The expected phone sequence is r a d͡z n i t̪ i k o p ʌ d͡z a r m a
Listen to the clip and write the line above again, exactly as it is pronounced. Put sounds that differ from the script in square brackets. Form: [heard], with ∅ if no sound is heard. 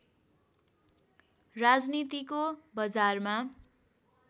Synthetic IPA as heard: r a d͡z n i t̪ i k o [b] ʌ d͡z a r m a